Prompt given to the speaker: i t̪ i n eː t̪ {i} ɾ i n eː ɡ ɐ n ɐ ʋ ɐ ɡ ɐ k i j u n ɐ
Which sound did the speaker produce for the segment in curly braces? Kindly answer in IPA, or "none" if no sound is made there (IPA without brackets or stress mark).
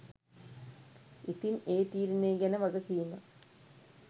iː